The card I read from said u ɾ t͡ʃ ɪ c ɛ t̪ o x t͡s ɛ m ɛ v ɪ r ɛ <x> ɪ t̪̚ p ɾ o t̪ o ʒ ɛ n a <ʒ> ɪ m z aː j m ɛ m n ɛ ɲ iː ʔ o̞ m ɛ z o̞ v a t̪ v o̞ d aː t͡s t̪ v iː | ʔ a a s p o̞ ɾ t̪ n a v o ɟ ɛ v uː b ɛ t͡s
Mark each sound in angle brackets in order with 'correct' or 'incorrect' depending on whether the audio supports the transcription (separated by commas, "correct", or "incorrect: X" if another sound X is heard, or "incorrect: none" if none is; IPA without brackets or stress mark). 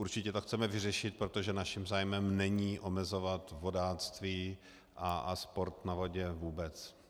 incorrect: ʃ, incorrect: ʃ